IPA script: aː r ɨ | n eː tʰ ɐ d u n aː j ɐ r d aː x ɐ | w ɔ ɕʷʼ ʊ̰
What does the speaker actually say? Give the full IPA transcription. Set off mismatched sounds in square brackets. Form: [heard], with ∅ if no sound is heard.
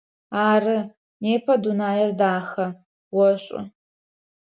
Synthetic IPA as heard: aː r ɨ | n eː [pʰ] ɐ d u n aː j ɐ r d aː x ɐ | w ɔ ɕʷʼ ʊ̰

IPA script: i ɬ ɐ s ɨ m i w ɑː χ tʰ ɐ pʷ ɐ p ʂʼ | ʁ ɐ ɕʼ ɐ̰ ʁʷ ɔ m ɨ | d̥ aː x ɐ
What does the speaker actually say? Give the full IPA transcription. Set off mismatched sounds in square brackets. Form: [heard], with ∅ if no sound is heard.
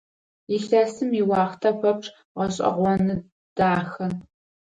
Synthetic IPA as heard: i ɬ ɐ s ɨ m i w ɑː χ tʰ ɐ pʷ ɐ p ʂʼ | ʁ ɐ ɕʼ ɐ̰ ʁʷ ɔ [n] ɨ | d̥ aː x ɐ

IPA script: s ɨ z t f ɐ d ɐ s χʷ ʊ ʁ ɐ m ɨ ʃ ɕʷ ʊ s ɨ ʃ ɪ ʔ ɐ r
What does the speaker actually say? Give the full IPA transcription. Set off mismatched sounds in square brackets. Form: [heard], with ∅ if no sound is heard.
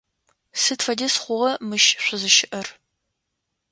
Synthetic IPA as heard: s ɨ [∅] t f ɐ d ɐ s χʷ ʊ ʁ ɐ m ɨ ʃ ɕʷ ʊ [z] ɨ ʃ ɪ ʔ ɐ r

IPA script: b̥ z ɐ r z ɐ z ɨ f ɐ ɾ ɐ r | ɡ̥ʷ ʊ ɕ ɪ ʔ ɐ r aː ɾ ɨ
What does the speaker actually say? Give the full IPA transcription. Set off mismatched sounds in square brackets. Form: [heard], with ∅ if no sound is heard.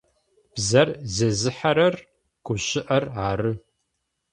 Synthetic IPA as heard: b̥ z ɐ r z ɐ z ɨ [ħ] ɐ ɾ ɐ r | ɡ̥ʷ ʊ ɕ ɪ ʔ ɐ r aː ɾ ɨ

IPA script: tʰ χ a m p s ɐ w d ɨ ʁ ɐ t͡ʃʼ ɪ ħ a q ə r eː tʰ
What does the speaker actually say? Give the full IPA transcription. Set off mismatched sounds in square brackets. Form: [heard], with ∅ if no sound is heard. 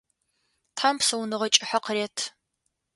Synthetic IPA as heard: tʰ [ħ] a m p s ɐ w [n] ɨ ʁ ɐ t͡ʃʼ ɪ ħ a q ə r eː tʰ

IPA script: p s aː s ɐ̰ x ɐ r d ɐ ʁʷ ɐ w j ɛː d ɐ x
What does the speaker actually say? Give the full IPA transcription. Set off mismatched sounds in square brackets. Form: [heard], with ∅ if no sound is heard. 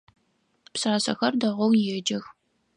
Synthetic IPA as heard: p s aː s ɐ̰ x ɐ r d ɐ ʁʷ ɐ w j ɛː [d͡ʒ] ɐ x

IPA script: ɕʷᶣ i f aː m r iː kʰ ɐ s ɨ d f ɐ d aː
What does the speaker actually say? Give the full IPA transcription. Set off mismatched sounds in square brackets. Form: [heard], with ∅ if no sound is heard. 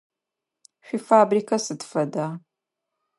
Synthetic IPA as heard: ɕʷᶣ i f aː [b] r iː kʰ ɐ s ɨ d f ɐ d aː

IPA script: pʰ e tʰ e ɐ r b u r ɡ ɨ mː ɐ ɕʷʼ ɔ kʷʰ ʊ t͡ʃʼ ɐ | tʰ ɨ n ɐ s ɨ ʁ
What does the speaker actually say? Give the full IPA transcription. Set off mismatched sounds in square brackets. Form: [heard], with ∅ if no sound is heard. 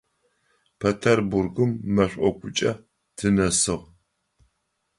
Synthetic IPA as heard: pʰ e tʰ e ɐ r b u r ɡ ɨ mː ɐ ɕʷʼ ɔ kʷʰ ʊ t͡ʃʼ ɐ | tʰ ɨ n ɐ s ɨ ʁ

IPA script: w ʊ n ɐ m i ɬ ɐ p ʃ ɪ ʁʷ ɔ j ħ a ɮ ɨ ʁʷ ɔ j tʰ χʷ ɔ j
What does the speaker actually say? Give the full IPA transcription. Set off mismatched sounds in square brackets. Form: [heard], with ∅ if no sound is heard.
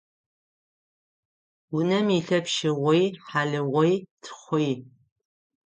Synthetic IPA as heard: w ʊ n ɐ m i ɬ ɐ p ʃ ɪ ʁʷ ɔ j ħ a ɮ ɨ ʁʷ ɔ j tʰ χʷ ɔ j

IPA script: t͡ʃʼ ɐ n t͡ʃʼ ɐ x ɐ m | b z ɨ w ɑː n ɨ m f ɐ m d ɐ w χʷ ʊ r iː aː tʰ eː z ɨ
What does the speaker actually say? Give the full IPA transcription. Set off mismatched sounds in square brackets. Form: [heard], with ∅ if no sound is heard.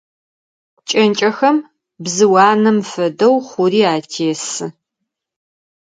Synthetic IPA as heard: t͡ʃʼ ɐ n t͡ʃʼ ɐ x ɐ m | b z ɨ w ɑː n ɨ m f ɐ [∅] d ɐ w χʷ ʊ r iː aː tʰ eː [s] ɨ

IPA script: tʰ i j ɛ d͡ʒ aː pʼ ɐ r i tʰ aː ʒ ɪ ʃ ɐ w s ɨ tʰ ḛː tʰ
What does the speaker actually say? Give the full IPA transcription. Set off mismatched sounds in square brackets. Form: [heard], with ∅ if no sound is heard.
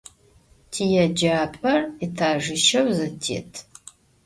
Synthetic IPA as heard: tʰ i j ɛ d͡ʒ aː pʼ ɐ r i tʰ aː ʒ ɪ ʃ ɐ w [z] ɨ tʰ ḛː tʰ

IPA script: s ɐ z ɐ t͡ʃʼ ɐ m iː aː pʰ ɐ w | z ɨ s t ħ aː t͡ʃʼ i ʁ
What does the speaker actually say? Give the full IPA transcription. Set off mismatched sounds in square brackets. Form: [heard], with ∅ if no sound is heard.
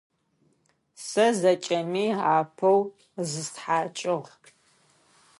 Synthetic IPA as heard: s ɐ z ɐ t͡ʃʼ ɐ m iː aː pʰ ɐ w | z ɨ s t ħ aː t͡ʃʼ [ɪ] ʁ

